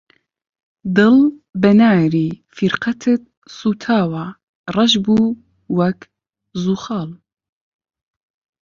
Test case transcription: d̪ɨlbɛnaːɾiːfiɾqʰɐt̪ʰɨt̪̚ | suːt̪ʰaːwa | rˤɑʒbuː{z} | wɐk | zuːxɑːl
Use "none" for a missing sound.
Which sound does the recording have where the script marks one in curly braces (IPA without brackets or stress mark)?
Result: none